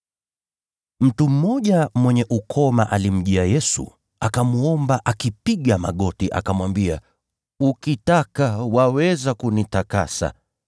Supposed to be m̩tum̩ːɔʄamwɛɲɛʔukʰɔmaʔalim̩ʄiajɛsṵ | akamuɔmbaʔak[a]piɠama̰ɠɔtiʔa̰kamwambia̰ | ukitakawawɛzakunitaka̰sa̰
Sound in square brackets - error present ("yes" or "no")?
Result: yes